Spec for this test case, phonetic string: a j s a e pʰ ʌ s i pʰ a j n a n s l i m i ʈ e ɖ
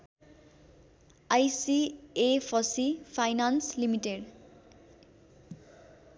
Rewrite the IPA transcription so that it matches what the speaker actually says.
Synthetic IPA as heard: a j s i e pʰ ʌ s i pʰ a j n a n s l i m i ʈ e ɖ